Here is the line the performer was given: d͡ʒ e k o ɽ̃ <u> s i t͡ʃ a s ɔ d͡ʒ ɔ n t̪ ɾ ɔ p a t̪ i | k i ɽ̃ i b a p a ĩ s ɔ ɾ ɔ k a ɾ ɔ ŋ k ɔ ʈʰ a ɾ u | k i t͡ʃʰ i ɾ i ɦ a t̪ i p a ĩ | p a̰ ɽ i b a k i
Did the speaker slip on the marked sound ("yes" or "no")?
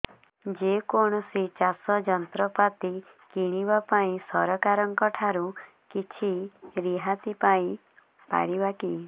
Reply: yes